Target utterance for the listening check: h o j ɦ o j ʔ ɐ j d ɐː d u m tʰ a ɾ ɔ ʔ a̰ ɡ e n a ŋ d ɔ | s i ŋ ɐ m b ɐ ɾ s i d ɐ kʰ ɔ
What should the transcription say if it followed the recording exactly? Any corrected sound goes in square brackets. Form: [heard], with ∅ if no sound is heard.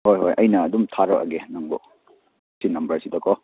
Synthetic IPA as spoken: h o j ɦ o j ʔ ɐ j [n] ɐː d u m tʰ a ɾ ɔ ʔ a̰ ɡ e n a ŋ [b] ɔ | s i [n] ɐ m b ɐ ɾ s i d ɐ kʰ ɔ